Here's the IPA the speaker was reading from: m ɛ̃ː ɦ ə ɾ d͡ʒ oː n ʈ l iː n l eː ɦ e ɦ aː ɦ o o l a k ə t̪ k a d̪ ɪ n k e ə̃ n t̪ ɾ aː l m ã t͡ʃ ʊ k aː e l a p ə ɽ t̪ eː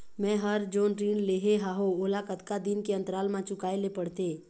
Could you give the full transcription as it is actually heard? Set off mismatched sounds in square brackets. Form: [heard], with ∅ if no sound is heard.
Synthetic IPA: m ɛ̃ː ɦ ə ɾ d͡ʒ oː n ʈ [ɾ] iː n l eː ɦ e ɦ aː ɦ o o l a k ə t̪ k a d̪ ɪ n k e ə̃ n t̪ ɾ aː l m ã t͡ʃ ʊ k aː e l [e] p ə ɽ t̪ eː